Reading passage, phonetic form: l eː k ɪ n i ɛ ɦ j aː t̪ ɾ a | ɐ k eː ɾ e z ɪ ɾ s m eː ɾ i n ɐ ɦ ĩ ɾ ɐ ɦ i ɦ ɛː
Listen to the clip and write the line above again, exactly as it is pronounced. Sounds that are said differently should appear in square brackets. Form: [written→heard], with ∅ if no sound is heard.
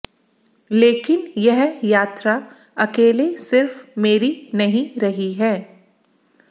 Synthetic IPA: l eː k ɪ n [i→j] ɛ ɦ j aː t̪ ɾ a | ɐ k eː [ɾ→l] e [z→s] ɪ ɾ [s→f] m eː ɾ i n ɐ ɦ ĩ ɾ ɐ ɦ i ɦ ɛː